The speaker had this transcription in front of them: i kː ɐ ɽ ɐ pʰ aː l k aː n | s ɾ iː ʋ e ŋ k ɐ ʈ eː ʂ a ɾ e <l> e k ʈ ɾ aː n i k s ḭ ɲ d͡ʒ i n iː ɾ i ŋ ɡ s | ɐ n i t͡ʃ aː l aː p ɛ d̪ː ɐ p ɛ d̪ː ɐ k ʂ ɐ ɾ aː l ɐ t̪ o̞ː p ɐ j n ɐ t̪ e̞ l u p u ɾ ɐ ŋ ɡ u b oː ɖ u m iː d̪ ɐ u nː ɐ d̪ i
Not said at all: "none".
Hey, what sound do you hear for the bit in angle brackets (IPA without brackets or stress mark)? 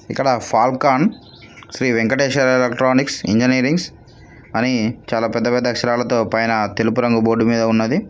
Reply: l